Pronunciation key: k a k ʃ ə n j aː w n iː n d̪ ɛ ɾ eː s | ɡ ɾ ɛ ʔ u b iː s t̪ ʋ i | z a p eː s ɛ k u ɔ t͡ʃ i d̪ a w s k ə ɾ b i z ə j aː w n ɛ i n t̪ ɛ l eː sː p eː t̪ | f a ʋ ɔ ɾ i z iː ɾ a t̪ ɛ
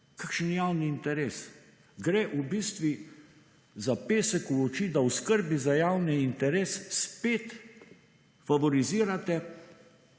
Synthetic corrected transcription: k a k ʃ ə n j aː w n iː n t̪ ɛ ɾ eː s | ɡ ɾ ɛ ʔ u b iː s t̪ ʋ i | z a p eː s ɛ k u ɔ t͡ʃ i d̪ a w s k ə ɾ b i z a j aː w n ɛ i n t̪ ɛ ɾ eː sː p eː t̪ | f a ʋ ɔ ɾ i z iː ɾ a t̪ ɛ

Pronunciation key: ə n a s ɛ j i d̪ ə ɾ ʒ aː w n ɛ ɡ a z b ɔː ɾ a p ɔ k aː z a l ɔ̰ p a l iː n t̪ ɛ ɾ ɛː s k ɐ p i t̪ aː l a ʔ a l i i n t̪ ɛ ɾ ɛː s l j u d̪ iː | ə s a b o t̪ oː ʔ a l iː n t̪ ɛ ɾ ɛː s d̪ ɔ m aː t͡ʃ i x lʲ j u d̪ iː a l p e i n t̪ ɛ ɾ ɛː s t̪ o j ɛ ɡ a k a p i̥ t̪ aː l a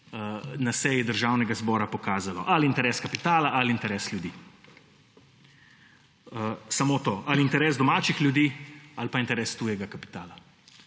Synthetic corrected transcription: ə n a s ɛ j i d̪ ə ɾ ʒ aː w n ɛ ɡ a z b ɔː ɾ a p ɔ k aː z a l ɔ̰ ʔ a l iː n t̪ ɛ ɾ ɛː s k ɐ p i t̪ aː l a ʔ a l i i n t̪ ɛ ɾ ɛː s l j u d̪ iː | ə s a m o t̪ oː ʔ a l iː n t̪ ɛ ɾ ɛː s d̪ ɔ m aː t͡ʃ i x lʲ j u d̪ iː a l p a i n t̪ ɛ ɾ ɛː s t̪ u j ɛ ɡ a k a p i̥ t̪ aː l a

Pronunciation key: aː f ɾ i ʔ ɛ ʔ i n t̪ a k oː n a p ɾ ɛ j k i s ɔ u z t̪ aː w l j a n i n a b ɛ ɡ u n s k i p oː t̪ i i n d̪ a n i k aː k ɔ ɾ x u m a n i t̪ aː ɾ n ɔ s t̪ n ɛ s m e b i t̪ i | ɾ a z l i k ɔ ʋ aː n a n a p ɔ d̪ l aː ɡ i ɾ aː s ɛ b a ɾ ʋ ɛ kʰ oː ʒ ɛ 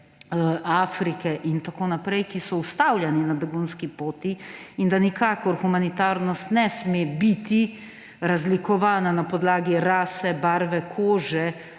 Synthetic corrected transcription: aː f ɾ i k ɛ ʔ i n t̪ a k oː n a p ɾ ɛ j k i s ɔ u s t̪ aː w l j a n i n a b ɛ ɡ u n s k i p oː t̪ i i n d̪ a n i k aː k ɔ ɾ x u m a n i t̪ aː ɾ n ɔ s t̪ n ɛ s m e b i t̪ i | ɾ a z l i k ɔ ʋ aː n a n a p ɔ d̪ l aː ɡ i ɾ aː s ɛ b a ɾ ʋ ɛ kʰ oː ʒ ɛ

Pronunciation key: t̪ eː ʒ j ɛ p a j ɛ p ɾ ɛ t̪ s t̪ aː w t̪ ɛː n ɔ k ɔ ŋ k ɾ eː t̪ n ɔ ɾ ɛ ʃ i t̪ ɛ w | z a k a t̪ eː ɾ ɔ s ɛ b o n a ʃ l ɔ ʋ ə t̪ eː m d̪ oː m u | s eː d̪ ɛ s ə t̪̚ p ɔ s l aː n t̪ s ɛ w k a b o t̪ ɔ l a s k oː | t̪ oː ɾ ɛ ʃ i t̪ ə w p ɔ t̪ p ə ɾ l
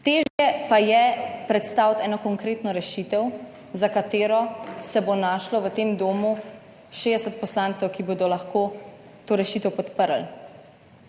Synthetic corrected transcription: t̪ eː ʒ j ɛ p a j ɛ p ɾ ɛ t̪ s t̪ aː w t̪ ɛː n ɔ k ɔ ŋ k ɾ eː t̪ n ɔ ɾ ɛ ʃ i t̪ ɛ w | z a k a t̪ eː ɾ ɔ s ɛ b o n a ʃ l ɔ ʋ ə t̪ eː m d̪ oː m u | ʃ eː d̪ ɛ s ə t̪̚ p ɔ s l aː n t̪ s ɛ w k i b o d̪ ɔ l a x k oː | t̪ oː ɾ ɛ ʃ i t̪ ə w p ɔ t̪ p ə ɾ l

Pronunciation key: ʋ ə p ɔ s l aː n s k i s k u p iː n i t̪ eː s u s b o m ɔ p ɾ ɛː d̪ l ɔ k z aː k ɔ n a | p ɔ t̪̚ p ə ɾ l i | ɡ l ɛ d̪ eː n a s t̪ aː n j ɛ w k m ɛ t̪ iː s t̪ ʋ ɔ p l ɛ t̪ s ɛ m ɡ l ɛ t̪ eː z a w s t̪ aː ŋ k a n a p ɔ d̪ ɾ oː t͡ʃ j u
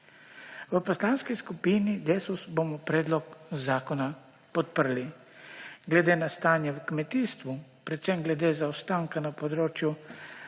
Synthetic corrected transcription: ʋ ə p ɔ s l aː n s k i s k u p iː n i d̪ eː s u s b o m ɔ p ɾ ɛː d̪ l ɔ k z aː k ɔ n a | p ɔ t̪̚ p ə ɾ l i | ɡ l ɛ d̪ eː n a s t̪ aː n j ɛ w k m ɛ t̪ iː s t̪ ʋ u p ɾ ɛ t̪ s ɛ m ɡ l ɛ d̪ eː z a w s t̪ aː ŋ k a n a p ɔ d̪ ɾ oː t͡ʃ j u

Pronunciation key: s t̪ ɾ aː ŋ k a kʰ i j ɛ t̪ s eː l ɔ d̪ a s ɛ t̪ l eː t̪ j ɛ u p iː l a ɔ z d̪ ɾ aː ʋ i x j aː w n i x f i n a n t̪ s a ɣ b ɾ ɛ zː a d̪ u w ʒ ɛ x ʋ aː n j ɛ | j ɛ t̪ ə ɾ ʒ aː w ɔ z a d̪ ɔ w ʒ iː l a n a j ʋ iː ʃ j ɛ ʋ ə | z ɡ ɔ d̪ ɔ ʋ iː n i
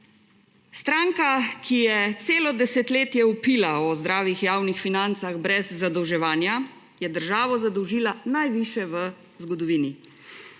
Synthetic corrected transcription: s t̪ ɾ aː ŋ k a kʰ i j ɛ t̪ s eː l ɔ d̪ ɛ s ɛ t̪ l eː t̪ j ɛ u p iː l a ɔ z d̪ ɾ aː ʋ i x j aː w n i x f i n a n t̪ s a ɣ b ɾ ɛ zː a d̪ ɔ w ʒ ɛ ʋ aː n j a | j ɛ d̪ ə ɾ ʒ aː ʋ ɔ z a d̪ ɔ w ʒ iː l a n a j ʋ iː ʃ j ɛ ʋ ə | z ɡ ɔ d̪ ɔ ʋ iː n i

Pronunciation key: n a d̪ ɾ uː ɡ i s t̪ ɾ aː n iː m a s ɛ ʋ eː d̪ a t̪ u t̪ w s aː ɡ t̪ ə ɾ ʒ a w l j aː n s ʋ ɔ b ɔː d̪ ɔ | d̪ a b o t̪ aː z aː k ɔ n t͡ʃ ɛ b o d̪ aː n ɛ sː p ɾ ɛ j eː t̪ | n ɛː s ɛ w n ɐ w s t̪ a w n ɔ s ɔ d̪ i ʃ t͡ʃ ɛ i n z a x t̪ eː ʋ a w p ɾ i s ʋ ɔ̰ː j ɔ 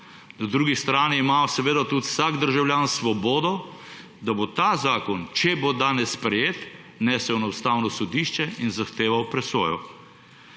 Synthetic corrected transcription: n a d̪ ɾ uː ɡ i s t̪ ɾ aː n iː m a s ɛ ʋ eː d̪ a t̪ u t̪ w s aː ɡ d̪ ə ɾ ʒ a w l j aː n s ʋ ɔ b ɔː d̪ ɔ | d̪ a b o t̪ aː z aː k ɔ n t͡ʃ ɛ b o d̪ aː n ɛ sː p ɾ ɛ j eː t̪ | n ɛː s ɛ w n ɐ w s t̪ a w n ɔ s ɔ d̪ i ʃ t͡ʃ ɛ i n z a x t̪ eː ʋ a w p ɾ ɛ s ʋ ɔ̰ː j ɔ

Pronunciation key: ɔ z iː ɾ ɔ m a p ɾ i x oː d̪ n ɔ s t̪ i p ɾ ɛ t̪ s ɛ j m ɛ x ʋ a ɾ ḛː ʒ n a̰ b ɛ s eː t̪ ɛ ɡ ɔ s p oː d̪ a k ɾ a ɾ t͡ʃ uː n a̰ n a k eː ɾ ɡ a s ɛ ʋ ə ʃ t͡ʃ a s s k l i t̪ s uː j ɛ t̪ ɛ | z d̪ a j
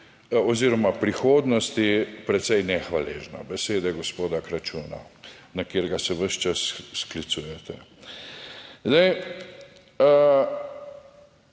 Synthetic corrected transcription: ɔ z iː ɾ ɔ m a p ɾ i x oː d̪ n ɔ s t̪ i p ɾ ɛ t̪ s ɛ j n ɛ x ʋ a l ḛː ʒ n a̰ b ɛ s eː d̪ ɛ ɡ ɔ s p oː d̪ a k ɾ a t͡ʃ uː n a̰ n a k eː ɾ ɡ a s ɛ ʋ ə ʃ t͡ʃ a s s k l i t̪ s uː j ɛ t̪ ɛ | z d̪ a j

